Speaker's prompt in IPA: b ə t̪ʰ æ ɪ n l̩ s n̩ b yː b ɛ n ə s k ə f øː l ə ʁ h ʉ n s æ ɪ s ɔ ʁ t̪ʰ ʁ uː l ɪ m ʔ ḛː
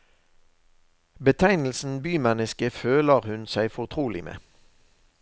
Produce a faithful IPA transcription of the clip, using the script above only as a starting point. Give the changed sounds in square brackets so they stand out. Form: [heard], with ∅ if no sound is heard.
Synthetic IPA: b ə t̪ʰ æ ɪ n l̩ s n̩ b yː [m] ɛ n ə s k ə f øː l ə ʁ h ʉ n s æ ɪ [f] ɔ ʁ t̪ʰ ʁ uː l ɪ m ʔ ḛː